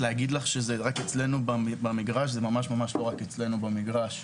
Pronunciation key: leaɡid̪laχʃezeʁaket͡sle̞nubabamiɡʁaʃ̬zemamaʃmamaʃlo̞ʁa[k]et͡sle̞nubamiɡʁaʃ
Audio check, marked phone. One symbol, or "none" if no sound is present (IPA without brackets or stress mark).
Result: k